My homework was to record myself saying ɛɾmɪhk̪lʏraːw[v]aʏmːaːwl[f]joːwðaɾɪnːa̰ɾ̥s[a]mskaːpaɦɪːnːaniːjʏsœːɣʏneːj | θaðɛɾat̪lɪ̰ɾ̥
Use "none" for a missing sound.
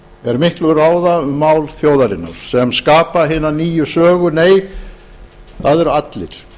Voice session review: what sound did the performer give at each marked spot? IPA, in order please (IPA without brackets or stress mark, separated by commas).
ð, θ, ɛ